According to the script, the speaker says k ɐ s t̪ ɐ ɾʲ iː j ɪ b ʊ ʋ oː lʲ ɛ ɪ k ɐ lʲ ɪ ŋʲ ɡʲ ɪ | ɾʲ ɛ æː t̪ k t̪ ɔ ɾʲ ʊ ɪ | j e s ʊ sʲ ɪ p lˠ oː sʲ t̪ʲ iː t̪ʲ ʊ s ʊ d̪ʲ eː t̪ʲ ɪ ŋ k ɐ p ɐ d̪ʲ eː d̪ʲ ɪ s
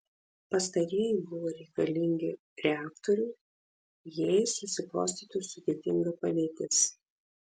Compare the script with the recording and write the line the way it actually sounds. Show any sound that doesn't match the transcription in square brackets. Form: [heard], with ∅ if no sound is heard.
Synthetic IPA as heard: [p] ɐ s t̪ ɐ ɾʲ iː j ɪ b ʊ ʋ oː [ɾʲ] ɛ ɪ k ɐ lʲ ɪ ŋʲ ɡʲ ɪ | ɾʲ ɛ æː [∅] k t̪ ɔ ɾʲ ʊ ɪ | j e s ʊ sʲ ɪ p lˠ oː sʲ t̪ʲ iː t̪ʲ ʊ s ʊ d̪ʲ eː t̪ʲ ɪ ŋ [ɡ] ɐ p ɐ d̪ʲ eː [t̪ʲ] ɪ s